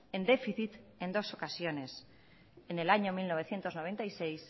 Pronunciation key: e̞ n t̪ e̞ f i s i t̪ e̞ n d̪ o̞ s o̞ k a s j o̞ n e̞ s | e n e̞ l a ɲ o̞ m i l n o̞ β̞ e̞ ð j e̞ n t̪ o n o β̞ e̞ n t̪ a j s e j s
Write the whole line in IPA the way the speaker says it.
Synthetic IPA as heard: e̞ n d̪ e̞ f i θ i t̪ e̞ n d̪ o̞ s o̞ k a s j o̞ n e̞ s | e n e̞ l a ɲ o̞ m i l n o̞ β̞ e̞ θ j e̞ n t̪ o n o β̞ e̞ n t̪ a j s e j s